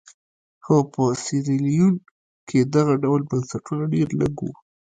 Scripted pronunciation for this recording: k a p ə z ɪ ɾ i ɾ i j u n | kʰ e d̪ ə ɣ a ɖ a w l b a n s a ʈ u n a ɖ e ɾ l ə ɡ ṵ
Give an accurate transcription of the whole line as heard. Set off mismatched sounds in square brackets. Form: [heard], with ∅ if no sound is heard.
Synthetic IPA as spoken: [x] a p ə [s] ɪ ɾ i [l] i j u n | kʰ e d̪ [a] ɣ a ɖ a w l b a n s a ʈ u n a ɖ e ɾ l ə ɡ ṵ